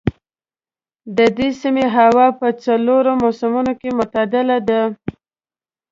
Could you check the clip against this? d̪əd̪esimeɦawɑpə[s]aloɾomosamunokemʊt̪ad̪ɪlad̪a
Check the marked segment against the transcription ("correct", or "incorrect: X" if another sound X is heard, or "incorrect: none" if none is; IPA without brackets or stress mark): incorrect: t͡s